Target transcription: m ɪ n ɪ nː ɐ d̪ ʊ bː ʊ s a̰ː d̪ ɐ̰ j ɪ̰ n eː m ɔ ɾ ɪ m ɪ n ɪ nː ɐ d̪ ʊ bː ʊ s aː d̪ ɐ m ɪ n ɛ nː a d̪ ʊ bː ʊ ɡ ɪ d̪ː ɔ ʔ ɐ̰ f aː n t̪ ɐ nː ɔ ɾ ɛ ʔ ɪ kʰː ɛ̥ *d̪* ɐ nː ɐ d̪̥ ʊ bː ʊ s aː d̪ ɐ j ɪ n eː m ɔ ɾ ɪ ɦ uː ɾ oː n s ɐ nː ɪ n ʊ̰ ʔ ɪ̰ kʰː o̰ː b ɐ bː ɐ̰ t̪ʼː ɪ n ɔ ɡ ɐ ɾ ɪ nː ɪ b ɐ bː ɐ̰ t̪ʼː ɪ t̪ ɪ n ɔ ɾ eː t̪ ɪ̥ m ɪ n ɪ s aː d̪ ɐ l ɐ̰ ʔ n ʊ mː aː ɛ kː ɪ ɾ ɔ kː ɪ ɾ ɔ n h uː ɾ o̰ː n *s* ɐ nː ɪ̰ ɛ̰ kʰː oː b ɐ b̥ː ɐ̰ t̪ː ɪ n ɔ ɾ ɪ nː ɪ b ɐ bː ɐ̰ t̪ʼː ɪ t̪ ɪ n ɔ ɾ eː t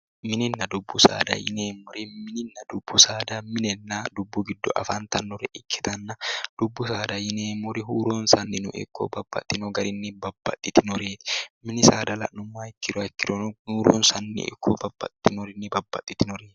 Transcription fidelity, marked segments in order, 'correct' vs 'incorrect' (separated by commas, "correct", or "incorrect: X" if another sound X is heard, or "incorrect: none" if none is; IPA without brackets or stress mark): incorrect: t̪, correct